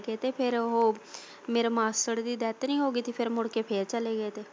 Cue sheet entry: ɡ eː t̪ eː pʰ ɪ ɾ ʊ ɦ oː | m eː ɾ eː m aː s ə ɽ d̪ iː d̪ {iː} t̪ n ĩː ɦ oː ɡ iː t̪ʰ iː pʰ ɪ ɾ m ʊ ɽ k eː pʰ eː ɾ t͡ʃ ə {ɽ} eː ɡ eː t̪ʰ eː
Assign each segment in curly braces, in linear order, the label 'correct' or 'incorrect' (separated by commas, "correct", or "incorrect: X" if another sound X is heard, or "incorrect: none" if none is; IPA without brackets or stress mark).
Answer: incorrect: ɛː, incorrect: l